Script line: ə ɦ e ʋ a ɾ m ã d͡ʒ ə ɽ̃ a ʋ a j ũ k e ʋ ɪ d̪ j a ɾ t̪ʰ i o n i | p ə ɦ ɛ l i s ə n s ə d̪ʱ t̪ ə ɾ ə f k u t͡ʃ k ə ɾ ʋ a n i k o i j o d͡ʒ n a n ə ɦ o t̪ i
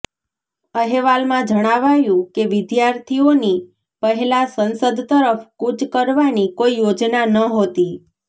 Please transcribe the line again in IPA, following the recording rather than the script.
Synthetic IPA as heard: ə ɦ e ʋ a l m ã d͡ʒ ə ɽ̃ a ʋ a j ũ k e ʋ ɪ d̪ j a ɾ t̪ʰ i o n i | p ə ɦ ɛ l a s ə n s ə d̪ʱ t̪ ə ɾ ə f k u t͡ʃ k ə ɾ ʋ a n i k o i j o d͡ʒ n a n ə ɦ o t̪ i